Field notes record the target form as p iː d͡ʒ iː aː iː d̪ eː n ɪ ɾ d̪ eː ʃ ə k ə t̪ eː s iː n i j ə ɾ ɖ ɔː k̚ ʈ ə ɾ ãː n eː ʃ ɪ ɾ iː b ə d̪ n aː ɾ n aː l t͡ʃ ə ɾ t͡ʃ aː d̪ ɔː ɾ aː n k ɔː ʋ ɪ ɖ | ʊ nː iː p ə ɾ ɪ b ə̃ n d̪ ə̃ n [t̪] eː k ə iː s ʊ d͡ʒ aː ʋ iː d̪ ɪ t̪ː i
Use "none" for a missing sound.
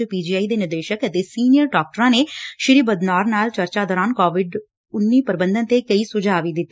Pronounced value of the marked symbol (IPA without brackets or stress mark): t̪